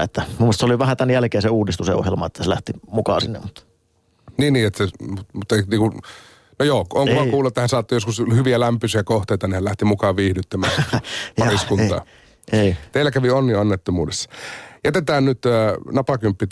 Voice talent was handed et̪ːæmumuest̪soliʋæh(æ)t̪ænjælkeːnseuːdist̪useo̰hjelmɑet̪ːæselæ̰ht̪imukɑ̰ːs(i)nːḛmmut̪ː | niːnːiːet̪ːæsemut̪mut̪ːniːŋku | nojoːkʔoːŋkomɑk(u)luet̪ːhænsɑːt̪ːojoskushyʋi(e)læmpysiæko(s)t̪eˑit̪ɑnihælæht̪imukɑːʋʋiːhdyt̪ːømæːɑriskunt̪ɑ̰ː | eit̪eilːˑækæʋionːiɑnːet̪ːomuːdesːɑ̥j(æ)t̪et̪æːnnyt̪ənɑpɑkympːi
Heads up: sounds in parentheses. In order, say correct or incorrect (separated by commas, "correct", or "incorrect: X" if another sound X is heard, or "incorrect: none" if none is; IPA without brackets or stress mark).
correct, correct, incorrect: uː, incorrect: æ, incorrect: h, correct